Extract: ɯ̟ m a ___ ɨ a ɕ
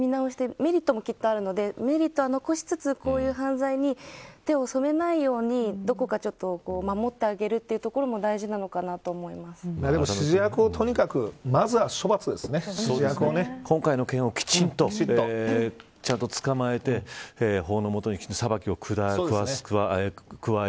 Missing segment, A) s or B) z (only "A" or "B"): B